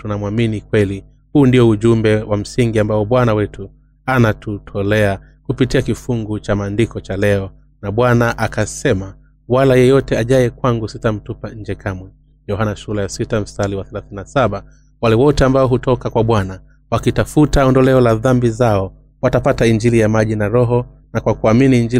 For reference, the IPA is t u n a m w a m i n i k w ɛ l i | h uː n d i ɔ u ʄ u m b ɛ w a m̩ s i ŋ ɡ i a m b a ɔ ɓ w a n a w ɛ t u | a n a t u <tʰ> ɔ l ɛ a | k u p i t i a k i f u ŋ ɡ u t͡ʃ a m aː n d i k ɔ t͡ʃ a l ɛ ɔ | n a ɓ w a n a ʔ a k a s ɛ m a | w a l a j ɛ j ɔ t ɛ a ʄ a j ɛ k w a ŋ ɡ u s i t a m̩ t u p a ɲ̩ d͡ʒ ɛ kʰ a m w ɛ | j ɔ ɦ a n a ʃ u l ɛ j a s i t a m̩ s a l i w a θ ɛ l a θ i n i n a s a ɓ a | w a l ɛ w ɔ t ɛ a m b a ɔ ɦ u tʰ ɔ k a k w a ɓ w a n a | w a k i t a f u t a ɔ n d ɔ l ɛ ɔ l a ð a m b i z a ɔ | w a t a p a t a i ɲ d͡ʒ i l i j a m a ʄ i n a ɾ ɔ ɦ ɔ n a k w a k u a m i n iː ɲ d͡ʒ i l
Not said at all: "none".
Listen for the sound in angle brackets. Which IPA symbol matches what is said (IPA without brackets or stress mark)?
tʰ